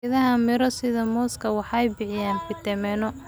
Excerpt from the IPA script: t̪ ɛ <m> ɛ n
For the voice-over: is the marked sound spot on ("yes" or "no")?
yes